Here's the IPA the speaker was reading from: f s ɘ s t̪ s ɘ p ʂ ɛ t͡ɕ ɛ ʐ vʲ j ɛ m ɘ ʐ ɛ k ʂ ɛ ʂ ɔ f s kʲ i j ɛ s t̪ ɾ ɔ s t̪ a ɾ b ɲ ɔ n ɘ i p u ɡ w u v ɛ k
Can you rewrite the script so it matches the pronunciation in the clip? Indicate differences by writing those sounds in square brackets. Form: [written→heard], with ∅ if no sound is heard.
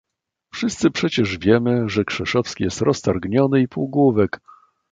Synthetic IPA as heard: f [s→ʂ] ɘ s t̪ s ɘ p ʂ ɛ t͡ɕ ɛ ʐ vʲ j ɛ m ɘ ʐ ɛ k ʂ ɛ ʂ ɔ f s kʲ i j ɛ s t̪ ɾ ɔ s t̪ a ɾ [b→ɡ] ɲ ɔ n ɘ i p u ɡ w u v ɛ k